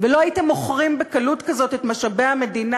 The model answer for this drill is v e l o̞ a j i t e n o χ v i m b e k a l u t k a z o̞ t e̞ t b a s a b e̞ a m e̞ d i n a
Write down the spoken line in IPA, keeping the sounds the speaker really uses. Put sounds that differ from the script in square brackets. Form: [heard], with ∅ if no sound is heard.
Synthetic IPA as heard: v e l o̞ a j i t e [m] o χ [ʁ] i m b e k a l u t k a z o̞ t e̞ t [m] a [ʃ] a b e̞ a m e̞ d i n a